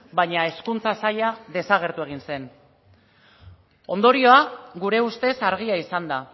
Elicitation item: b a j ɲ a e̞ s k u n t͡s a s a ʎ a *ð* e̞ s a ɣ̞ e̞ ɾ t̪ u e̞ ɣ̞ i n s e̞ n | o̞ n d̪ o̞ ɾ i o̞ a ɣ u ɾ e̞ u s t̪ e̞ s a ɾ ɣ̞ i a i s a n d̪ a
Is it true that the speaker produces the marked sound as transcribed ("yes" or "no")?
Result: yes